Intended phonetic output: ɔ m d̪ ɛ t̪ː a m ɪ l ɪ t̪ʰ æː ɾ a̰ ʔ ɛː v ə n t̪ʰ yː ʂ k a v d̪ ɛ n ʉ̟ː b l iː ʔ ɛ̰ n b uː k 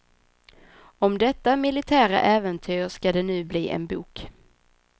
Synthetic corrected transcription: ɔ m d̪ ɛ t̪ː a m ɪ l ɪ t̪ʰ æː ɾ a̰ ʔ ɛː v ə n t̪ʰ yː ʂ k a d̪ ɛ n ʉ̟ː b l iː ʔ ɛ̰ n b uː k